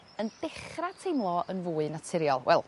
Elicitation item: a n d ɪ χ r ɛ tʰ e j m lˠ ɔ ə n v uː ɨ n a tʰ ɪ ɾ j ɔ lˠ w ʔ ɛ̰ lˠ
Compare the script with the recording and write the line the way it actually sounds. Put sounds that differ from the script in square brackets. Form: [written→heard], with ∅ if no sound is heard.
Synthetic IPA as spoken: [a→ə] n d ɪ χ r [ɛ→a] tʰ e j m lˠ ɔ ə n v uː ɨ n a tʰ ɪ ɾ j ɔ lˠ w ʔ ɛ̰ lˠ